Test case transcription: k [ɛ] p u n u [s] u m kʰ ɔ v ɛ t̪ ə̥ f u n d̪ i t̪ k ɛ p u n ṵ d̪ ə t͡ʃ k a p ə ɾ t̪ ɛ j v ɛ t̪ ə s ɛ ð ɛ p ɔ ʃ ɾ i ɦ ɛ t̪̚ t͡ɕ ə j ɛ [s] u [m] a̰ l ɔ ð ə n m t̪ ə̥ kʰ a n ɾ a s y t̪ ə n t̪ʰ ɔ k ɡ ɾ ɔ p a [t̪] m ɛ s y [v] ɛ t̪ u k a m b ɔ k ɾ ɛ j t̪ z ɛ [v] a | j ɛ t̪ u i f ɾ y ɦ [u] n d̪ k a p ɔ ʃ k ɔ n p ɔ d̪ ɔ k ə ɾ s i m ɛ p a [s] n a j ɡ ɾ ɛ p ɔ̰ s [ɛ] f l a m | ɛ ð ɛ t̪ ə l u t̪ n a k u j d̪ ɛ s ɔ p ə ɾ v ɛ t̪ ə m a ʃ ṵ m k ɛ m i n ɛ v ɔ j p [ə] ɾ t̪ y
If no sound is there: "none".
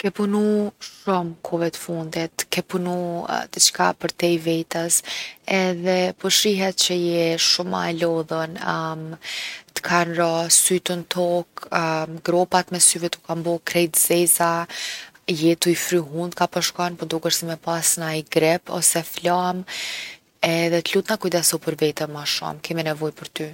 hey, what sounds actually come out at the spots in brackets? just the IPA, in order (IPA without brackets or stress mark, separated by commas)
ɛ, ʃ, ʃ, m, t̪, v, z, u, s, ɛ, ə